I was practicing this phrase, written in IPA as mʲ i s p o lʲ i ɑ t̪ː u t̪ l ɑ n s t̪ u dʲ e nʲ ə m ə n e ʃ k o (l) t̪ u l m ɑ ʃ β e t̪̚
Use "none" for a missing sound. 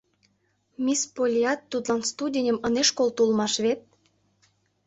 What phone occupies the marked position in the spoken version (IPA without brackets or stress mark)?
l